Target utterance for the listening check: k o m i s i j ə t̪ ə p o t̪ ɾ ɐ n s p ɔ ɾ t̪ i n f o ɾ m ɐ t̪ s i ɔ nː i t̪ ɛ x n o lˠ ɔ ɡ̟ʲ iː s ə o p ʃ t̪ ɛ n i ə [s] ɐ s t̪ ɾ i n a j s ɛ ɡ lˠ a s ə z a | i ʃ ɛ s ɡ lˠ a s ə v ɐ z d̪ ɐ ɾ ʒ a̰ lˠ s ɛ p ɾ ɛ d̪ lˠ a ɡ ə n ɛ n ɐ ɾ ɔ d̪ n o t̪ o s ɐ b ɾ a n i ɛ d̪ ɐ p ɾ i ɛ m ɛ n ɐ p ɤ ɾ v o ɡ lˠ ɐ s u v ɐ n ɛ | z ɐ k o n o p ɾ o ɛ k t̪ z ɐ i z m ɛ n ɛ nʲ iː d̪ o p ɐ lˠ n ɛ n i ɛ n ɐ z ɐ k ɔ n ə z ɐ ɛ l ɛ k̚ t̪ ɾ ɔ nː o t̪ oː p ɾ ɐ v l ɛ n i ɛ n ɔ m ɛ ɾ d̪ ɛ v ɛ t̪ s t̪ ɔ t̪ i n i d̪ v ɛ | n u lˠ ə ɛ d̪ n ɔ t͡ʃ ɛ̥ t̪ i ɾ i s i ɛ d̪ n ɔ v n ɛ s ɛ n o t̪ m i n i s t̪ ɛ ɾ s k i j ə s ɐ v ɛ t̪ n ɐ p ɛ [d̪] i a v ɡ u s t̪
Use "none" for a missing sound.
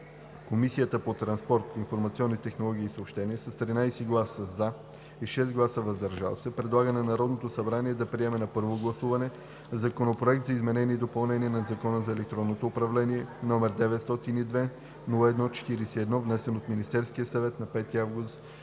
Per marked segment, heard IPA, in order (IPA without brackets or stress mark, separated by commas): s, t̪